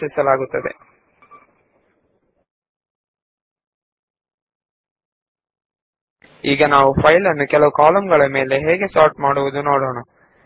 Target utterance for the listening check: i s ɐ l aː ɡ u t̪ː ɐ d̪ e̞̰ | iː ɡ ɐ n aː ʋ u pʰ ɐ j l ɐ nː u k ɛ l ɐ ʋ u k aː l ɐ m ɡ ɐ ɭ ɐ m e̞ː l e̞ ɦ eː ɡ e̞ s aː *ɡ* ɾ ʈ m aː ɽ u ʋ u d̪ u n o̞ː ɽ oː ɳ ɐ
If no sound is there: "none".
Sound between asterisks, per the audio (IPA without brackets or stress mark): none